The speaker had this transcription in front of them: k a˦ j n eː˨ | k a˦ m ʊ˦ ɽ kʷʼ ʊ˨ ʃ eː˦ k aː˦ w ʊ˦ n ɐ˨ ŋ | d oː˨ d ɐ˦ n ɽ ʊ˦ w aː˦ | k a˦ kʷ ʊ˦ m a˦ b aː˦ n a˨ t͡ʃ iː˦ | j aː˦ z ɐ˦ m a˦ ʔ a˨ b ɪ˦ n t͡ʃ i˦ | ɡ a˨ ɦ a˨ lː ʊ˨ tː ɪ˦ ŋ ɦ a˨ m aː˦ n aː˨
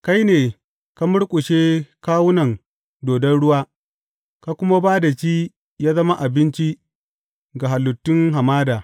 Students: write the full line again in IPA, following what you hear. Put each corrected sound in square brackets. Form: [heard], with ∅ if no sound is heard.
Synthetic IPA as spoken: k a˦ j n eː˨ | k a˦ m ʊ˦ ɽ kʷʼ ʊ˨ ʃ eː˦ k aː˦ w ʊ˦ n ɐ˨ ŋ | d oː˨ d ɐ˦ n ɽ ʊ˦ w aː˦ | k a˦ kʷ ʊ˦ m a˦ b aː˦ [d] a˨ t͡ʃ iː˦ | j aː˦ z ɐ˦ m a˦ ʔ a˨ b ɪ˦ n t͡ʃ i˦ | ɡ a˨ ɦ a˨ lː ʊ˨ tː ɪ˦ ŋ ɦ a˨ m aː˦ [d] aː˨